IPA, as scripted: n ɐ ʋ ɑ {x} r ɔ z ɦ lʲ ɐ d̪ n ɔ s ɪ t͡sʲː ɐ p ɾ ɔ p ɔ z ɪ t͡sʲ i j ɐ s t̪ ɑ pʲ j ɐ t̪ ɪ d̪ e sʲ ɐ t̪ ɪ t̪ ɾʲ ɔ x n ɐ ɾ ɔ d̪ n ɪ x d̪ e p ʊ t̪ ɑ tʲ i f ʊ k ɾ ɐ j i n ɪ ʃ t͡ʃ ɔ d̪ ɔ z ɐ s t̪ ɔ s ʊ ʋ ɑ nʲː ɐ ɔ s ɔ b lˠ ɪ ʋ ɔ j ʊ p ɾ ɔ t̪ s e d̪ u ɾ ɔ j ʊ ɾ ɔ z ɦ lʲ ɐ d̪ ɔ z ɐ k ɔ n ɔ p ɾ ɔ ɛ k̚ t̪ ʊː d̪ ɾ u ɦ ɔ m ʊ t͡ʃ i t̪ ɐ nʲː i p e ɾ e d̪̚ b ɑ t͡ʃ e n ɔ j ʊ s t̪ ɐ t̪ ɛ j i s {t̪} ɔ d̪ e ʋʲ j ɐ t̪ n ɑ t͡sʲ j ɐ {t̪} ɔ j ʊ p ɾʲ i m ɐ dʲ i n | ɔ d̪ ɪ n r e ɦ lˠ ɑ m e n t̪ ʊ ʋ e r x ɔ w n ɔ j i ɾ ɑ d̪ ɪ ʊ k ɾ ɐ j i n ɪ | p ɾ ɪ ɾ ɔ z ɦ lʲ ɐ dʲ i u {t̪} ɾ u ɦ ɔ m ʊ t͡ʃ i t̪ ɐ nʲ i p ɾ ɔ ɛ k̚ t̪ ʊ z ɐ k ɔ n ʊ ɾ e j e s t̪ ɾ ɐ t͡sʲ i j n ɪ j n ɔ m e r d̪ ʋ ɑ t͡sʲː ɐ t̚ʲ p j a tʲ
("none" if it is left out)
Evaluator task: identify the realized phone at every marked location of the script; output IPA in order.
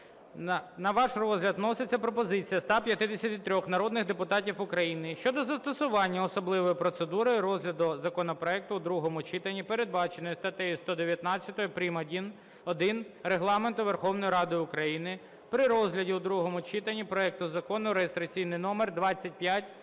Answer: ʃ, t̪, t̪, d̪

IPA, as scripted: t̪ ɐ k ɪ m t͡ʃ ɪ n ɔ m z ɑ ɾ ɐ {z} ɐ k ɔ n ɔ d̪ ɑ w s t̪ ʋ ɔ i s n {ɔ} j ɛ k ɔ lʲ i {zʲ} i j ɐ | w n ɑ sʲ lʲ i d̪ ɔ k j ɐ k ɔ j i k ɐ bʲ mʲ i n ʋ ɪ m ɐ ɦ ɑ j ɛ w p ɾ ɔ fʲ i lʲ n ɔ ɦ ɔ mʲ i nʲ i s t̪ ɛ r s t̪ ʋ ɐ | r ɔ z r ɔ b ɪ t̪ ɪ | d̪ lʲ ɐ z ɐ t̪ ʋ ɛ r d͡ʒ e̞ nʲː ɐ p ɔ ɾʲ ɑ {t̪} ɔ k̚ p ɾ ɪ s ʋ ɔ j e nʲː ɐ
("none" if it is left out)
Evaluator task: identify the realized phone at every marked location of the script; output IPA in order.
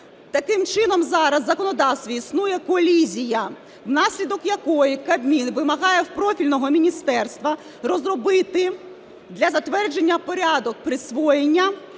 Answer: zː, u, zʲ, d̪

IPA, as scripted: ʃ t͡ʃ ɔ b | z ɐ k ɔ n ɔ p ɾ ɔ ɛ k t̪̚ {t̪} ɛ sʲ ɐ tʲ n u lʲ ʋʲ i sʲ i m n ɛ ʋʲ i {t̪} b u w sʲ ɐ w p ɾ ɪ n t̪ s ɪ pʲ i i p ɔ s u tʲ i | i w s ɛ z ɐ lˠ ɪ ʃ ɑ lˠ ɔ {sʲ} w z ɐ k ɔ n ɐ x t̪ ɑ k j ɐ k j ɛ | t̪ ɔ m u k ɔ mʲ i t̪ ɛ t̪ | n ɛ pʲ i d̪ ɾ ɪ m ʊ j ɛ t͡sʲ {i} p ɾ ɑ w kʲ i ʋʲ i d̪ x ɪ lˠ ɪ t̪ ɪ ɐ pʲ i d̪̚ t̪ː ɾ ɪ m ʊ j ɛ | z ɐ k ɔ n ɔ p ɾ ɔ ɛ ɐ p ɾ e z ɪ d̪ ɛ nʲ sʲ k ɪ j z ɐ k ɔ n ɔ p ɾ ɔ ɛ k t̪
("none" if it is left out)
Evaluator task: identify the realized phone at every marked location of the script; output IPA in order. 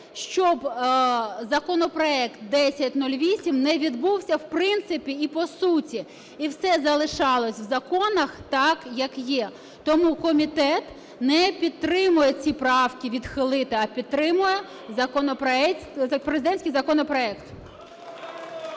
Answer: d̪, d̪, sʲ, i

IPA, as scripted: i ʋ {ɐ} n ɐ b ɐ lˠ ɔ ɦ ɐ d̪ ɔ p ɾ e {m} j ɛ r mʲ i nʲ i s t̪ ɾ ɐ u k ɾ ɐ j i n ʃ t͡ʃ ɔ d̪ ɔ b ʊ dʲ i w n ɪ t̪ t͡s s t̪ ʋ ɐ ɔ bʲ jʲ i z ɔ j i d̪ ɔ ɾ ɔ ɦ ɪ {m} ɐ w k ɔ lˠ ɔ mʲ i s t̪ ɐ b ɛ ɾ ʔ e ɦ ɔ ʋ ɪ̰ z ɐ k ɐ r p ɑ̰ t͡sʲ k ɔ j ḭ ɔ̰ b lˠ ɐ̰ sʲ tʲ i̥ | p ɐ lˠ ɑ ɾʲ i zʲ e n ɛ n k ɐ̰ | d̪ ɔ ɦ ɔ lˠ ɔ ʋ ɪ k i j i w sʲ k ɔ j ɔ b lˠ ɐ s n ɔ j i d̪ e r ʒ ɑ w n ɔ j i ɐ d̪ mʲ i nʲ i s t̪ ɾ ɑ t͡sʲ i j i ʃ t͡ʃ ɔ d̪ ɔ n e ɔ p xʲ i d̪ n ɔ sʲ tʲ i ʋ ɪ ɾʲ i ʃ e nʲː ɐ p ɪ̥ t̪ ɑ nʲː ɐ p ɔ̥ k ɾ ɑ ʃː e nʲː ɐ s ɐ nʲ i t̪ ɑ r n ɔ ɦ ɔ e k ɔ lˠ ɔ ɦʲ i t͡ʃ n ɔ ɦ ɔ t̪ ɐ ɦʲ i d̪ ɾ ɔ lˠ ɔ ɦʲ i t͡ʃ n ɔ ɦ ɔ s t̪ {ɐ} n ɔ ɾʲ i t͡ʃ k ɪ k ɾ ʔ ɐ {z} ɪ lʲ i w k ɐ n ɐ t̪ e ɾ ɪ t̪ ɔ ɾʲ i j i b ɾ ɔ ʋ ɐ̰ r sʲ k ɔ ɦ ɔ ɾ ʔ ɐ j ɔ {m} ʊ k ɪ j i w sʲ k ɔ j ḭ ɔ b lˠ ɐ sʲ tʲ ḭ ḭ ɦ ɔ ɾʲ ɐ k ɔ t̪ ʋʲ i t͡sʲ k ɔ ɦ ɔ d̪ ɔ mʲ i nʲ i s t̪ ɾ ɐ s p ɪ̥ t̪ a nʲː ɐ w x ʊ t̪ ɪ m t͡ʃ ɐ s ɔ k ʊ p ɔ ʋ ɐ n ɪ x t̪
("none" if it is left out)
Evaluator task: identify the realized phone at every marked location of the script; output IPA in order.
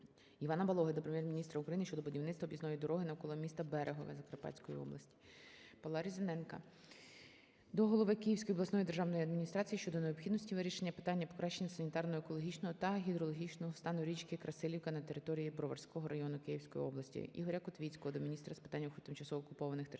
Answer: ɑ, m, n, ɑ, s, n

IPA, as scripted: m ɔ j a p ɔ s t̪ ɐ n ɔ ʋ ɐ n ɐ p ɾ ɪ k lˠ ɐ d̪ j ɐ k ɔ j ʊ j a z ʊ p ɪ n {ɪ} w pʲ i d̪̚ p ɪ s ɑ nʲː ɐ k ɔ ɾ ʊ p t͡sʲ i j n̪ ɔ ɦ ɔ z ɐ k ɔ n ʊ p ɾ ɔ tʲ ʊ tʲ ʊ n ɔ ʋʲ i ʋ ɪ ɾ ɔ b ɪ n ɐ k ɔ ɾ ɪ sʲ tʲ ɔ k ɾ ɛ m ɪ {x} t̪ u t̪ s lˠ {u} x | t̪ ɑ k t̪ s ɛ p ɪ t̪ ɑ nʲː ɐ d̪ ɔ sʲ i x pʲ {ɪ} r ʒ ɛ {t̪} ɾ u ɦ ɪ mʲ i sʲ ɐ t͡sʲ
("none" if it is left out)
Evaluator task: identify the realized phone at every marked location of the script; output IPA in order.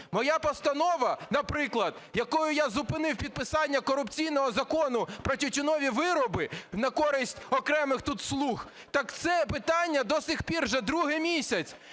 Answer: ɪ, x, u, i, d̪

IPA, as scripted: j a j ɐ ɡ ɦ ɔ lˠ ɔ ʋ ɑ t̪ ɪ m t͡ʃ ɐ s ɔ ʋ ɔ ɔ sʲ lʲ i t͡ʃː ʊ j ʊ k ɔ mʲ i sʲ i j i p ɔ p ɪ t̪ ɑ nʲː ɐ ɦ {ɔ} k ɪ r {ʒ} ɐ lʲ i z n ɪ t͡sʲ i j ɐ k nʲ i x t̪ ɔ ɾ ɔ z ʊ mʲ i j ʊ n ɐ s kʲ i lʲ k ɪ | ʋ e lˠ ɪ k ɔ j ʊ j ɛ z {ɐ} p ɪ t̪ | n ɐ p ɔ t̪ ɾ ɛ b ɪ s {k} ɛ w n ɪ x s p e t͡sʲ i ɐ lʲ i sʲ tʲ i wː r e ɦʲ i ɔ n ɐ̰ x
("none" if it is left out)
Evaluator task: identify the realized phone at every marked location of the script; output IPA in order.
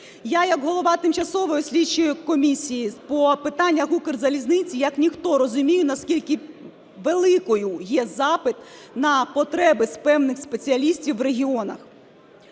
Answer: u, z, ɑ, p

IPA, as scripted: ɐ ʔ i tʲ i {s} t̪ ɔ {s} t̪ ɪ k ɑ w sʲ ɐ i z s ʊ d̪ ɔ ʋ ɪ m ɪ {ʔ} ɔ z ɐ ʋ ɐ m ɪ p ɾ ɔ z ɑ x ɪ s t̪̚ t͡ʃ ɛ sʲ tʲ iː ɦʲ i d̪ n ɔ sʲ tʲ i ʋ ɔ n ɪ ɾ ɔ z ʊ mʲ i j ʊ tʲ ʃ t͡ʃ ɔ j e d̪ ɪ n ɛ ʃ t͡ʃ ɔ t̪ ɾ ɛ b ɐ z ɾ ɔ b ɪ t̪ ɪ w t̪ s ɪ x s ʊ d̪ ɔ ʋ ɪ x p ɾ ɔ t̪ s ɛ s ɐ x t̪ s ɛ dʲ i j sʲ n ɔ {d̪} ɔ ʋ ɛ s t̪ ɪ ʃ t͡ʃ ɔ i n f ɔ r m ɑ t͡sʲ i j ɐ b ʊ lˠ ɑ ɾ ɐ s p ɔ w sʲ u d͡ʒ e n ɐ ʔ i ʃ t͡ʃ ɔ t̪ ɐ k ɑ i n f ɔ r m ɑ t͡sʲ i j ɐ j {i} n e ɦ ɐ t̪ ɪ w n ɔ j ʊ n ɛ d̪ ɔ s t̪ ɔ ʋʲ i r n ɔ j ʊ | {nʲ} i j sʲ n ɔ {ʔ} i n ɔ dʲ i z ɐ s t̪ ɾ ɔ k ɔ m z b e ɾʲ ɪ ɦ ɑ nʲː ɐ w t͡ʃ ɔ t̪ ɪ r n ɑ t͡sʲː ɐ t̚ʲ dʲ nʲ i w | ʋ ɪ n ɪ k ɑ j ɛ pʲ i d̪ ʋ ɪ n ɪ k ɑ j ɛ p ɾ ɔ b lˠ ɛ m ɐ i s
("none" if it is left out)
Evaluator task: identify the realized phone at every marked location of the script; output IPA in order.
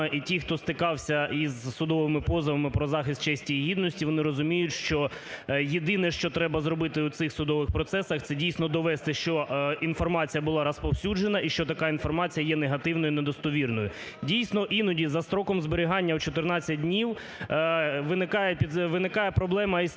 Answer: x, s, p, d̪, ɛ, dʲ, ʔ

